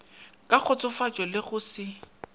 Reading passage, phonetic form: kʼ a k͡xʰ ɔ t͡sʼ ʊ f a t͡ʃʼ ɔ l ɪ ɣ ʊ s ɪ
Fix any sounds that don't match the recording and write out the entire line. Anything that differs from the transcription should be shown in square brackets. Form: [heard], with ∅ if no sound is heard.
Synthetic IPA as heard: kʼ a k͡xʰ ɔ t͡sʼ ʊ f a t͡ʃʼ ɔ l ɪ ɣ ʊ s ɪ